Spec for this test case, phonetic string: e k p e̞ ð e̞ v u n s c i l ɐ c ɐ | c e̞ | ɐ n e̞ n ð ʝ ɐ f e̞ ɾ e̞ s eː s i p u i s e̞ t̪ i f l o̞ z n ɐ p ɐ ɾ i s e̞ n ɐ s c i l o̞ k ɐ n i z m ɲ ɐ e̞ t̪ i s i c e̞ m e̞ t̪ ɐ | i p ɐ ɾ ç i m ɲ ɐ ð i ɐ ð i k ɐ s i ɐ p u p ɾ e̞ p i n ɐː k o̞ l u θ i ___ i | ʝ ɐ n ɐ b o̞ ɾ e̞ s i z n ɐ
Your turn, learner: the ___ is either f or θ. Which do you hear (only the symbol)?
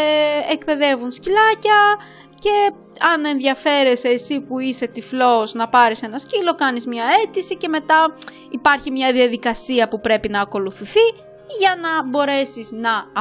θ